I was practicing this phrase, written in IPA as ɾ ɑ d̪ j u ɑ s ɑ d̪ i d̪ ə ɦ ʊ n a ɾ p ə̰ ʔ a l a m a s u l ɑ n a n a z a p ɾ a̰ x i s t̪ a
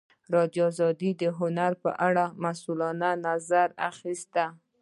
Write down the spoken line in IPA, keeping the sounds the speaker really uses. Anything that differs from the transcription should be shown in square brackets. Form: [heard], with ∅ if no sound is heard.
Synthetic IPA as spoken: ɾ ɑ d̪ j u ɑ [z] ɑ d̪ i d̪ ə ɦ ʊ n a ɾ p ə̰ ʔ a [ɽ] a m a s u l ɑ n a n a z a [∅] ɾ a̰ x i s t̪ a

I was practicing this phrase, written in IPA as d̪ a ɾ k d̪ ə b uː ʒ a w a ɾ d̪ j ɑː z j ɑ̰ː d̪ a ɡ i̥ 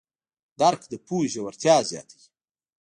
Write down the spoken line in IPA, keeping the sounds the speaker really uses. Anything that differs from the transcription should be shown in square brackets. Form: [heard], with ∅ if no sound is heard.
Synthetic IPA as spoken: d̪ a ɾ k d̪ ə [p] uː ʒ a w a ɾ [t̪] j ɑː z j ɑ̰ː [t̪] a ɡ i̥

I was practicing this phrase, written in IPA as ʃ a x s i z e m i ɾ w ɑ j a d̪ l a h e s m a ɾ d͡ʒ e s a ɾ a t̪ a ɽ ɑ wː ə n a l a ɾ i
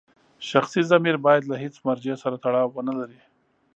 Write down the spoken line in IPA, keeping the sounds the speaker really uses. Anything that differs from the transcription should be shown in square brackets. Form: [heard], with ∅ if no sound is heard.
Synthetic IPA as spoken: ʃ a x s i z [a] m i ɾ [b] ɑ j a d̪ l a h e [t͡s] m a ɾ d͡ʒ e s a ɾ a t̪ a ɽ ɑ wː ə n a l a ɾ i

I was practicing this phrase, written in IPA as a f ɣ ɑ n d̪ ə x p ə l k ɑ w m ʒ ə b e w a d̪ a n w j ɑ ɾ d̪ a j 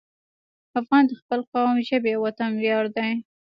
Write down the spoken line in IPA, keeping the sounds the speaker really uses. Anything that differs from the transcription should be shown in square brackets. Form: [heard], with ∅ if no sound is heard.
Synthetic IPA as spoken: a f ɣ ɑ n d̪ ə x p ə l [q] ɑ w m ʒ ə b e w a [t̪] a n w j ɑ ɾ d̪ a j

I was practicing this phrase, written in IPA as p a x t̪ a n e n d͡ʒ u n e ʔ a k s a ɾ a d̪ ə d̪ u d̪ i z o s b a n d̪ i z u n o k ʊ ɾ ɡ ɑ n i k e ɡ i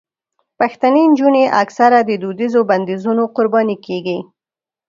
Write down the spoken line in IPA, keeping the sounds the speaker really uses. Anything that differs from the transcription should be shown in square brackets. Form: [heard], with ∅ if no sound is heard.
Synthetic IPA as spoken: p a x t̪ a n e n d͡ʒ u n e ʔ a k s a ɾ a d̪ ə d̪ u d̪ i z o [∅] b a n d̪ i z u n o [q] ʊ ɾ [b] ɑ n i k e ɡ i

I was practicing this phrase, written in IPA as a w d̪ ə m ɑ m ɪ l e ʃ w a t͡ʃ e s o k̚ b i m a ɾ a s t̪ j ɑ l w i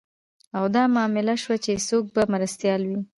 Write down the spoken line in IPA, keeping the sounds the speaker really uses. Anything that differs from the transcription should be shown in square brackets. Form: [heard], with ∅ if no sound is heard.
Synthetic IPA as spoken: a w d̪ [ɑ] m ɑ m ɪ l [a] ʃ w a t͡ʃ e s o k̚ b [a] m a ɾ a s t̪ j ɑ l w i

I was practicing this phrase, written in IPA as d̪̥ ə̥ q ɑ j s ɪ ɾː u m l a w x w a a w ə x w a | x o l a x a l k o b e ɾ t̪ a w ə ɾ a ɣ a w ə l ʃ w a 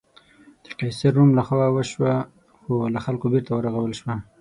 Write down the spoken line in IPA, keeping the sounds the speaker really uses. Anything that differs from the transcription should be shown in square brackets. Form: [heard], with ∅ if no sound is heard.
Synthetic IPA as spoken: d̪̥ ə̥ q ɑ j s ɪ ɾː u m l a [∅] x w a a w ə [ʃ] w a | x o l a x a l k o b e ɾ t̪ a w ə ɾ a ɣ a w ə l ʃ w a

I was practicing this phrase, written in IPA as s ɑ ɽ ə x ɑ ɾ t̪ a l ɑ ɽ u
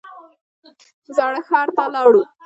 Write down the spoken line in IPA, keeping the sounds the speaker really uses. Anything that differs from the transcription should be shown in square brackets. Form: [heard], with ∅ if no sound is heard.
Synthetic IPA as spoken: [z] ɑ ɽ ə x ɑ ɾ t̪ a l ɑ ɽ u

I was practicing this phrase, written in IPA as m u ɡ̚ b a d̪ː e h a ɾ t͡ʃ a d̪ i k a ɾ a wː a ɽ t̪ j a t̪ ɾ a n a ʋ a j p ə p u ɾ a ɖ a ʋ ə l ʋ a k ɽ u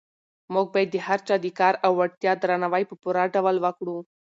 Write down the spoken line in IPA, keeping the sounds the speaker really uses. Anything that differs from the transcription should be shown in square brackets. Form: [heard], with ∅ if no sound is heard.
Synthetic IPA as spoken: m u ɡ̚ b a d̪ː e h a ɾ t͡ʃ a d̪ i k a ɾ a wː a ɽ t̪ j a [d̪] ɾ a n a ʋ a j p ə p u ɾ a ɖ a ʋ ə l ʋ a k ɽ u

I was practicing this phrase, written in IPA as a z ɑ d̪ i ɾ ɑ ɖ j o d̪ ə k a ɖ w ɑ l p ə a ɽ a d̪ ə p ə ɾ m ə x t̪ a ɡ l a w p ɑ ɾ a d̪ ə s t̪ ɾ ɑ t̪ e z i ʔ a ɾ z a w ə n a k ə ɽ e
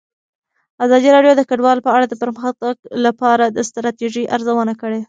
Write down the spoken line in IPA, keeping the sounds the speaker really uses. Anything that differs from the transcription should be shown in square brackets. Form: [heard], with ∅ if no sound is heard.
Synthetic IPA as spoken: a z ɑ d̪ i ɾ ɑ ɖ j o d̪ ə k a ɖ w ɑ l p ə a ɽ a d̪ ə p ə ɾ m ə x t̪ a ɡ l a [∅] p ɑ ɾ a d̪ ə s t̪ ɾ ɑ t̪ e [ʒ] i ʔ a ɾ z a w ə n a k ə ɽ e

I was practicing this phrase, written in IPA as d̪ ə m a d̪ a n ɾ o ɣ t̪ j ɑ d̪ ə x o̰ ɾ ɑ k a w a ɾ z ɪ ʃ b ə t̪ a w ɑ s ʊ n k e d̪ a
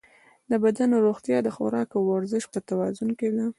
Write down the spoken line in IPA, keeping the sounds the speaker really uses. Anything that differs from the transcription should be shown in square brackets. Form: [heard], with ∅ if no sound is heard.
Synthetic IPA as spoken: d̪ ə [b] a d̪ a n ɾ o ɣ t̪ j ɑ d̪ ə x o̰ ɾ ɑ k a w a ɾ z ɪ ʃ [p] ə t̪ a w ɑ [z] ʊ n k e d̪ a

